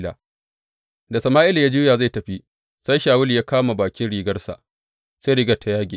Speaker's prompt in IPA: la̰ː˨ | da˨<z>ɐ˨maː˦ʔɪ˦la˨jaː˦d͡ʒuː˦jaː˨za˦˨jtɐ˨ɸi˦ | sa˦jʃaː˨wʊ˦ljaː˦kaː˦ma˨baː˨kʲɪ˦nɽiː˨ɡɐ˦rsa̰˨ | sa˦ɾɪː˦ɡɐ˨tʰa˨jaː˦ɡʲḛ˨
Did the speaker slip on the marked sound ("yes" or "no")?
yes